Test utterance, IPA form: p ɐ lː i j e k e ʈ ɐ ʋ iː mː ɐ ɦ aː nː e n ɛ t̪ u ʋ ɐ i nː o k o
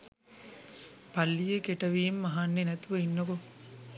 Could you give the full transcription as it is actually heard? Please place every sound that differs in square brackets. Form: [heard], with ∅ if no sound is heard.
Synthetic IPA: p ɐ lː i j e k e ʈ ɐ ʋ iː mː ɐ ɦ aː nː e n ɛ t̪ u ʋ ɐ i nː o k o